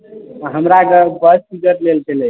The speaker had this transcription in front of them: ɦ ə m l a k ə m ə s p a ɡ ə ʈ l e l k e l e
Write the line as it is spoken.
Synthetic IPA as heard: ɦ ə m ɾ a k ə b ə s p i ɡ ə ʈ l e l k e l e